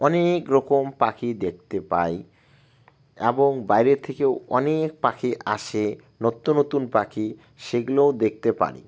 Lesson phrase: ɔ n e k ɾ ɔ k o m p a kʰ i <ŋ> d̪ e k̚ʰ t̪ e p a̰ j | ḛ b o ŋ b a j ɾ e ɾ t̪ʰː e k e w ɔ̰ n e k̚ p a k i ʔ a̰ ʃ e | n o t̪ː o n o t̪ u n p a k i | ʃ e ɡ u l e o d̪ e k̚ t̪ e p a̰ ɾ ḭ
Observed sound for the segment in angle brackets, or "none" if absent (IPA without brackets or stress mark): none